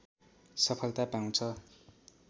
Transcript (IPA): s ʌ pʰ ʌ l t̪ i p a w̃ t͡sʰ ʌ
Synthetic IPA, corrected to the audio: s ʌ pʰ ʌ l t̪ a p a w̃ t͡sʰ ʌ